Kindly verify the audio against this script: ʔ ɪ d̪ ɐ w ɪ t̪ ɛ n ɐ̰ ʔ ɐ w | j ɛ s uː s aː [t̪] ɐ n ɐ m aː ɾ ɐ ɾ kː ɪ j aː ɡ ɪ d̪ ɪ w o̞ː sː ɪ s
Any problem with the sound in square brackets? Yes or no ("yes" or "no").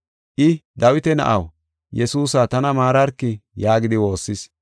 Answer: no